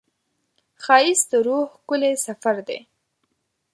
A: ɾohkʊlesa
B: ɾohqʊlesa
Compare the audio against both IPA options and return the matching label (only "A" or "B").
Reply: A